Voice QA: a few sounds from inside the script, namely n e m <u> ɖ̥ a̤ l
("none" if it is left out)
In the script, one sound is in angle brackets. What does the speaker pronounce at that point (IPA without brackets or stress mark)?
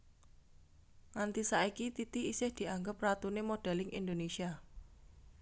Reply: o